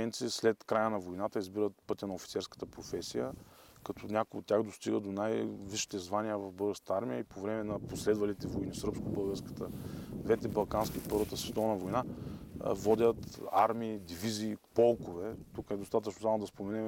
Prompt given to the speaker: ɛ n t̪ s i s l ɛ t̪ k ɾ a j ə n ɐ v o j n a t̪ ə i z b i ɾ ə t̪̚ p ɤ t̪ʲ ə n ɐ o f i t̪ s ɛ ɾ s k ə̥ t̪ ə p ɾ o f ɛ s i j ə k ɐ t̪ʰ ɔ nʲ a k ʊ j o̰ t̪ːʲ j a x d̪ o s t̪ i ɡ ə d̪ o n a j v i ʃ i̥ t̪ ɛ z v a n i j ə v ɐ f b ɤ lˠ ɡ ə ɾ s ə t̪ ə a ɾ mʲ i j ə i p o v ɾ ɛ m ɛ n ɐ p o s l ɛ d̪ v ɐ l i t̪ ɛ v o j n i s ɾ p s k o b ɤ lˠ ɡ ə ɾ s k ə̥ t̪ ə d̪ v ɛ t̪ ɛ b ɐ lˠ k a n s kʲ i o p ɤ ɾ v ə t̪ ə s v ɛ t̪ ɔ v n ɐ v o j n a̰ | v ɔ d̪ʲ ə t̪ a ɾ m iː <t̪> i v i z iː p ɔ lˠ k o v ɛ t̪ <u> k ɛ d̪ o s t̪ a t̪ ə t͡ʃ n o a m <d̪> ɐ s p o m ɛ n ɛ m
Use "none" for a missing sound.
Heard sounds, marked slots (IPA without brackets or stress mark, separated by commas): d̪, u, d̪